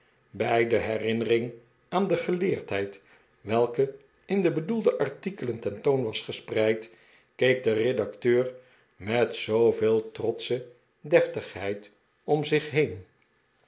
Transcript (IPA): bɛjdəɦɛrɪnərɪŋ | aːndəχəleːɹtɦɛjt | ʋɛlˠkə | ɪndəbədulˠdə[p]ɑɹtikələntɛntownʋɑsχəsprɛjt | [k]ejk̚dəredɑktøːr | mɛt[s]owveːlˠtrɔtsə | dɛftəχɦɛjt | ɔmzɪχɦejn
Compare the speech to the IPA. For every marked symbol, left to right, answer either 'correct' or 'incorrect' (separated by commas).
incorrect, correct, correct